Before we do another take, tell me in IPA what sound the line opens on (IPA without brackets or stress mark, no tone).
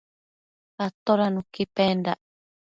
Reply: a